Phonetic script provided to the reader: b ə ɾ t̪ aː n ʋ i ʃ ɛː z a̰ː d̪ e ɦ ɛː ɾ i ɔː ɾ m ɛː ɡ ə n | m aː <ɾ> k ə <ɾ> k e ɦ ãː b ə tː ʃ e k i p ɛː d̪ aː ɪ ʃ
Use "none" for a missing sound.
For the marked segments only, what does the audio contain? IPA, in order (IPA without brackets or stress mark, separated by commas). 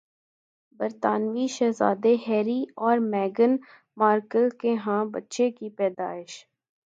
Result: ɾ, l